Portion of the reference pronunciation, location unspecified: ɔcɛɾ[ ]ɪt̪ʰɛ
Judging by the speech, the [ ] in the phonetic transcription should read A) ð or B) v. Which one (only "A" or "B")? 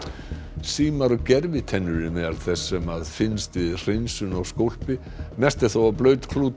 B